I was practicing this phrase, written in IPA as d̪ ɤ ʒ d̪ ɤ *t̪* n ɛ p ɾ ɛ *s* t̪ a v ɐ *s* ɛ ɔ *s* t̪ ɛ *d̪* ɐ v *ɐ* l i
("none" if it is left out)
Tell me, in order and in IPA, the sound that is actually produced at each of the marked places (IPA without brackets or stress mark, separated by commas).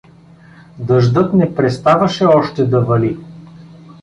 t̪, s, ʃ, ʃ, d̪, ɐ